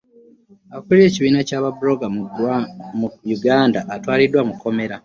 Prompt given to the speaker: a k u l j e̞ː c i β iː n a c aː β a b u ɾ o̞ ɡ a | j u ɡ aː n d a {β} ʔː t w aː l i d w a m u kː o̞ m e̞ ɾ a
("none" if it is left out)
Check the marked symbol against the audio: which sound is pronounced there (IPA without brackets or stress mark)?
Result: none